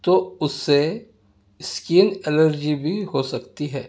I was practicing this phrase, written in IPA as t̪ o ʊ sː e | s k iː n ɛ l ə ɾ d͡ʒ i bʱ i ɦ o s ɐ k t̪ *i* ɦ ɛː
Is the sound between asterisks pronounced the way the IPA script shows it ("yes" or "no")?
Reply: yes